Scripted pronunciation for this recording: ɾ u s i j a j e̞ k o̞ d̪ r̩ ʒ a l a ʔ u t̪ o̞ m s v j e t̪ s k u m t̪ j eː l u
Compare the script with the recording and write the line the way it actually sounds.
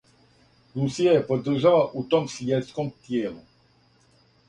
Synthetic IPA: ɾ u s i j a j e̞ p o̞ d̪ r̩ ʒ a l a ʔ u t̪ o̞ m s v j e t̪ s k o m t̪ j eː l u

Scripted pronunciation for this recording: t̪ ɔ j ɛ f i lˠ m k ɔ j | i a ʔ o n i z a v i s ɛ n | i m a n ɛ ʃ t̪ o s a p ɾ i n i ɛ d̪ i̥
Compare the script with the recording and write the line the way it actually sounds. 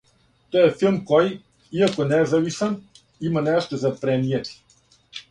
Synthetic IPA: t̪ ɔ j ɛ f i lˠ m k ɔ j | i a k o n ɛ z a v i s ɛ n | i m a n ɛ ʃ t̪ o z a p ɾ ɛ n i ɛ t̪ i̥

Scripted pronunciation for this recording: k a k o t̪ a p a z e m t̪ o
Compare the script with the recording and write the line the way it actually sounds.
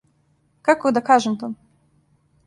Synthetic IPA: k a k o d̪ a k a ʒ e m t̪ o

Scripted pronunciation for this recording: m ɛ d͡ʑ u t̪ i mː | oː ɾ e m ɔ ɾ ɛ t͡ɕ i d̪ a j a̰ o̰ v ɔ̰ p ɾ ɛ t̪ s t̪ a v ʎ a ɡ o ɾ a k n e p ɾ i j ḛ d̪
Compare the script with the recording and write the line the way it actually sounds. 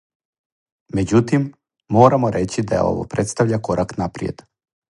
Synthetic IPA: m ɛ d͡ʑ u t̪ i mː | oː ɾ a m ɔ ɾ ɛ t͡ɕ i d̪ a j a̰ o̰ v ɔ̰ p ɾ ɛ t̪ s t̪ a v ʎ a k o ɾ a k n a p ɾ i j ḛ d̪

